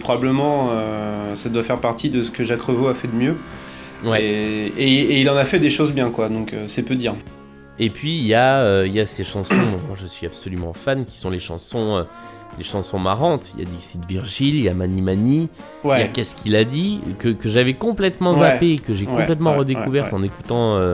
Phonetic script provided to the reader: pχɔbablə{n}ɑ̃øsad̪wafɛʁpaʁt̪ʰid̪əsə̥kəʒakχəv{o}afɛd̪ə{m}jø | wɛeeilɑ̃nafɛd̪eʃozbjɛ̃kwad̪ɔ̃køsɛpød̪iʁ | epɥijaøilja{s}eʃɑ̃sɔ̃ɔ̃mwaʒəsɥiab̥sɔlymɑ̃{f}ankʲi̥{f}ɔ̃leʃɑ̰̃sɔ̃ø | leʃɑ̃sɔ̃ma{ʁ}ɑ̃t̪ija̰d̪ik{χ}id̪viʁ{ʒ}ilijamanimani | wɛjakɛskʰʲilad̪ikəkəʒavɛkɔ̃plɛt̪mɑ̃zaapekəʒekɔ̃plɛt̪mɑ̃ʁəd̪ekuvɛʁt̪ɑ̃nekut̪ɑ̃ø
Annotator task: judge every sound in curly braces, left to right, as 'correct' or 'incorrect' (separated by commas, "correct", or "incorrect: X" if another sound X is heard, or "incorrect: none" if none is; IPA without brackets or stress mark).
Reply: incorrect: m, correct, correct, correct, correct, incorrect: s, correct, incorrect: s, correct